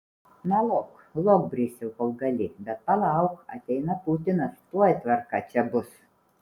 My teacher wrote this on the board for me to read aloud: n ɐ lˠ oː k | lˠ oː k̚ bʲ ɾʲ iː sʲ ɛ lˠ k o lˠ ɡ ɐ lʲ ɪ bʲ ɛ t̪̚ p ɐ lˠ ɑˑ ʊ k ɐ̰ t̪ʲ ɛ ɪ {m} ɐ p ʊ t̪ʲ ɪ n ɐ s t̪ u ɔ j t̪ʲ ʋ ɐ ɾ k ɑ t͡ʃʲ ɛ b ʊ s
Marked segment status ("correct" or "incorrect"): incorrect